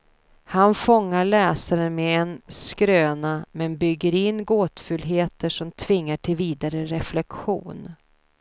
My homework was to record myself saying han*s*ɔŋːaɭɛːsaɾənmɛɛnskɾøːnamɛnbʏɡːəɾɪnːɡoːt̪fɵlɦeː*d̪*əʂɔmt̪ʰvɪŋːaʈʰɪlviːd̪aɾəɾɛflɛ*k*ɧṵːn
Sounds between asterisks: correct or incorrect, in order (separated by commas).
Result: incorrect, incorrect, correct